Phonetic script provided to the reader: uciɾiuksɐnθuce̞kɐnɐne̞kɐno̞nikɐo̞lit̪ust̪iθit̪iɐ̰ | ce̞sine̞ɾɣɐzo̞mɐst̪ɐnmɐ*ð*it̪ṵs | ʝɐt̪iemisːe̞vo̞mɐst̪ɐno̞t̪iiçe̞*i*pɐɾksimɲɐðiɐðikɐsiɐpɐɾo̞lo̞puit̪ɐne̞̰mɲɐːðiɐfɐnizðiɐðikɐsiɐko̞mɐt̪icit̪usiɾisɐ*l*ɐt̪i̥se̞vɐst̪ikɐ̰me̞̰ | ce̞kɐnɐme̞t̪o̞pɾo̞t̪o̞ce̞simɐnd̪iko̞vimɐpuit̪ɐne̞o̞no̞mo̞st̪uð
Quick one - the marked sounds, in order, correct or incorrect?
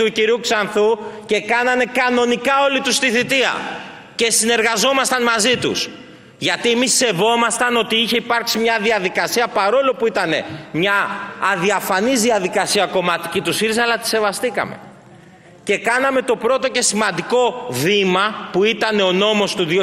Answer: incorrect: z, correct, correct

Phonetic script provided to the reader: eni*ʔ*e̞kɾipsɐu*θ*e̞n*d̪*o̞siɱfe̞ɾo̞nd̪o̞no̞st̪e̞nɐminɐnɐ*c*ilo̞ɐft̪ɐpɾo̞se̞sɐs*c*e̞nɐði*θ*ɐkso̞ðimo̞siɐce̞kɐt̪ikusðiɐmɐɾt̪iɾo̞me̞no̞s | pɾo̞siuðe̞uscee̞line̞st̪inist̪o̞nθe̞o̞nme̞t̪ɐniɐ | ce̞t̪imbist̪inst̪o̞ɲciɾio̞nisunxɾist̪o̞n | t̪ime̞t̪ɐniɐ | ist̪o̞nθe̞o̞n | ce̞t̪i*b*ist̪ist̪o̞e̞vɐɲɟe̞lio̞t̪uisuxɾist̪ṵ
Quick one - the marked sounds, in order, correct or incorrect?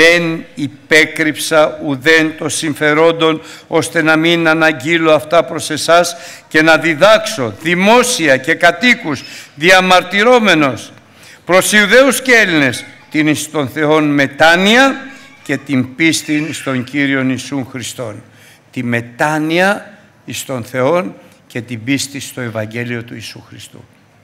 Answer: incorrect: p, incorrect: ð, incorrect: t̪, incorrect: ɟ, correct, incorrect: ð, correct

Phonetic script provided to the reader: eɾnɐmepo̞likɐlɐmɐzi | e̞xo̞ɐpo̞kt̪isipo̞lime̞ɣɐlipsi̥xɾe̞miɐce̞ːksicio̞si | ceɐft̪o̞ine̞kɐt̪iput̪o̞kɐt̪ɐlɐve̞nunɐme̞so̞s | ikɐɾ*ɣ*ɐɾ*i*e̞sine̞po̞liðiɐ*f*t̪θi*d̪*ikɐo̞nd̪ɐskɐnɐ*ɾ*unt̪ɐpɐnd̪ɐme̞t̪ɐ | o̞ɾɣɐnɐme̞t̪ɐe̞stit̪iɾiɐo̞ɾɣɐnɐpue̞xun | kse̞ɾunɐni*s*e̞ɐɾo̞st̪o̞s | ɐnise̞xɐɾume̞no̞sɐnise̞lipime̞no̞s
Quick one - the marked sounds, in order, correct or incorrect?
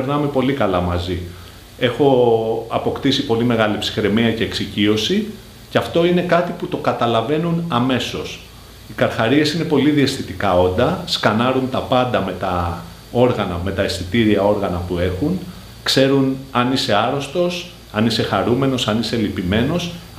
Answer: incorrect: x, correct, incorrect: s, incorrect: t̪, correct, correct

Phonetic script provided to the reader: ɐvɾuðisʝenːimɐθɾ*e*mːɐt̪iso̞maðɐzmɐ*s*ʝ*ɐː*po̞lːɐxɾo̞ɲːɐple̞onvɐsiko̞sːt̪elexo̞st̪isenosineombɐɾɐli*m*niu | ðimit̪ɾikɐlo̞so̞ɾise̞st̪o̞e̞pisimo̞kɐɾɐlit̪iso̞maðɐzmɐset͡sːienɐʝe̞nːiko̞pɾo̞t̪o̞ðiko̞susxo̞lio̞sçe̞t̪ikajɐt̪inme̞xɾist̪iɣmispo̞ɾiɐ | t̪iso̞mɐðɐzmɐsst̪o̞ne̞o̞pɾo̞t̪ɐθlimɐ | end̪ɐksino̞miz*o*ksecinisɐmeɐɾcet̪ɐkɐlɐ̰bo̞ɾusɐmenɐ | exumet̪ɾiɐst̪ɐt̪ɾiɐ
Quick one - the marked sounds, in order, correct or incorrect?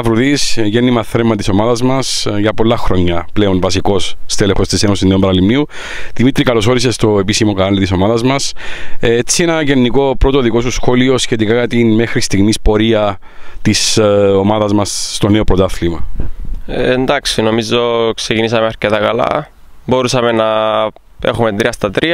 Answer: correct, correct, incorrect: ɐ, correct, correct

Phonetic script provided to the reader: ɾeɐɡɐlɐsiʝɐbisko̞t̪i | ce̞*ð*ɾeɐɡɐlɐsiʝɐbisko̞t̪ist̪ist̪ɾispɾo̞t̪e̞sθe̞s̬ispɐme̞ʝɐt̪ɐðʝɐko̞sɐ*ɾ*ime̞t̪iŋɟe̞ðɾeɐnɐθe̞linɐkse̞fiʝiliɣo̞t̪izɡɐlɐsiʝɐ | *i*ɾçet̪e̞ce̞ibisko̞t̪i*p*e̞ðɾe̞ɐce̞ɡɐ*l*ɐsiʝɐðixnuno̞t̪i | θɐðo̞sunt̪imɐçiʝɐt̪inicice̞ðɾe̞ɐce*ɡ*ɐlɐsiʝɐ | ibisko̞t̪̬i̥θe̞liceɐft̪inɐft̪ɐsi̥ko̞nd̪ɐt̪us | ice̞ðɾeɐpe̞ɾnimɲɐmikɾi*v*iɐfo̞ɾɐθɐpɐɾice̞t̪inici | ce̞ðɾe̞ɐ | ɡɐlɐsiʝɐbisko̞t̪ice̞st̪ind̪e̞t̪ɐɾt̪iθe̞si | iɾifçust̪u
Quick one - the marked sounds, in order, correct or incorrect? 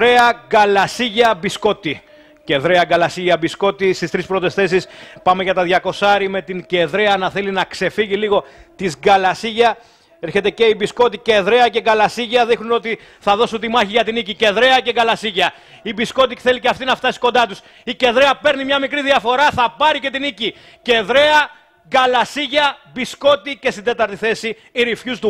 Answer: correct, correct, incorrect: e, incorrect: c, correct, correct, incorrect: ð

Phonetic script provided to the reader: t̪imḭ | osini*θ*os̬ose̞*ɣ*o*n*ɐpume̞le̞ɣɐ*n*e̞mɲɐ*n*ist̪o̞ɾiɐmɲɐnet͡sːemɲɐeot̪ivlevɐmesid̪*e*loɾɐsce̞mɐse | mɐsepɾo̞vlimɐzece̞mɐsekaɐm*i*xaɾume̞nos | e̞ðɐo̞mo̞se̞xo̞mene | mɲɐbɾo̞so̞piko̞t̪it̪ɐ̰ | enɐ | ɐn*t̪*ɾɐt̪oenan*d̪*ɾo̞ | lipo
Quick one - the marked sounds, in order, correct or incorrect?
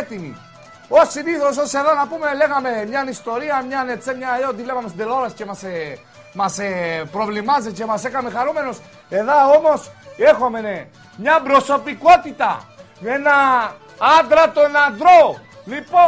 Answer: correct, incorrect: ð, correct, incorrect: m, correct, correct, incorrect: e, incorrect: d̪, correct

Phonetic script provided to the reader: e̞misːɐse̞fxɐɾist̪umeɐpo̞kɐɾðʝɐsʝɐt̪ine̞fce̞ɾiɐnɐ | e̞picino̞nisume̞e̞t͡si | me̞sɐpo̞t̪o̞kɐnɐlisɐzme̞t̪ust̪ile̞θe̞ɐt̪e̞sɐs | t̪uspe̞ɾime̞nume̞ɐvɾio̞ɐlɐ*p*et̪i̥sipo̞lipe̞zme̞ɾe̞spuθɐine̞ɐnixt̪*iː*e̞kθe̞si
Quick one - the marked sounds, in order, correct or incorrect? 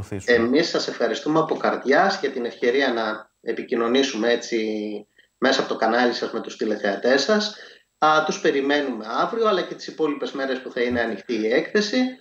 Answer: incorrect: c, correct

